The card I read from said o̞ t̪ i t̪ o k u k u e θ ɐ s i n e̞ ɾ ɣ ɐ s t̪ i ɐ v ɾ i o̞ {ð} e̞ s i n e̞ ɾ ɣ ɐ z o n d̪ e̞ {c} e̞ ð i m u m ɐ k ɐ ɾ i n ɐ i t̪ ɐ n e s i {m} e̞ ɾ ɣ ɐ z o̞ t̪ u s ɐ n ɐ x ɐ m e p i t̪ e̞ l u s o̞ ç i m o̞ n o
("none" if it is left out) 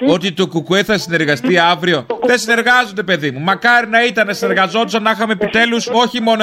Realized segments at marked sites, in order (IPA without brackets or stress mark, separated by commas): ð, p, n